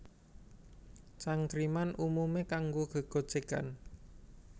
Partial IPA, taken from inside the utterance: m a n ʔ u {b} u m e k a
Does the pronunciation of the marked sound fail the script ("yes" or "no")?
yes